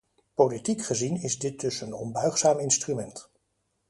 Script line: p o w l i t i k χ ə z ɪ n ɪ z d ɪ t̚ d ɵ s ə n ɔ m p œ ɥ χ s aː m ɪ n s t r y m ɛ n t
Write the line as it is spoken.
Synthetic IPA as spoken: p o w l i t i k χ ə z i n ɪ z d ɪ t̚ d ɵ s ə n ɔ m b œ ɥ χ s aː m ɪ n s t r y m ɛ n t